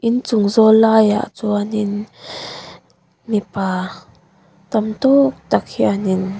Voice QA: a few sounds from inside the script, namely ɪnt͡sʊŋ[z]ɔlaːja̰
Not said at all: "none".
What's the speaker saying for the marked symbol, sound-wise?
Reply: z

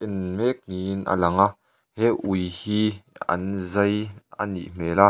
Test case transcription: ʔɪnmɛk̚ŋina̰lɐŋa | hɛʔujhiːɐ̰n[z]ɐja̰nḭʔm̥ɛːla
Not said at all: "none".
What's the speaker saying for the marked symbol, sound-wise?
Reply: z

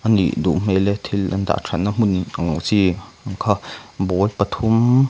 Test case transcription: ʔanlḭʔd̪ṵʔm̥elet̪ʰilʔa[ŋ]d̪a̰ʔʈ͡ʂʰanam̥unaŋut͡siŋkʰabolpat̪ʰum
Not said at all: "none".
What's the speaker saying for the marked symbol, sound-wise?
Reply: n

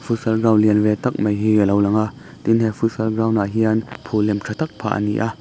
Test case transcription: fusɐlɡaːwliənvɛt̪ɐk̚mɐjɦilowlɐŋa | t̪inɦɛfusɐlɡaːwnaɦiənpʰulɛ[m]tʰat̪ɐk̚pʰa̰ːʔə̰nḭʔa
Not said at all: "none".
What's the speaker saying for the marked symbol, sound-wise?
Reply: m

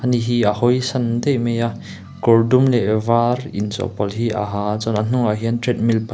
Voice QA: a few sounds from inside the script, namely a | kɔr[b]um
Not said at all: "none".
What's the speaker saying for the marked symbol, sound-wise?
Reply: d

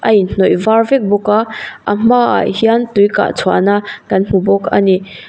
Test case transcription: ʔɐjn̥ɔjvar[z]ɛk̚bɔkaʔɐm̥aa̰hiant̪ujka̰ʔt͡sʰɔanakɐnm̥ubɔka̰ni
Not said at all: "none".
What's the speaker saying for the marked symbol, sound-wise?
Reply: v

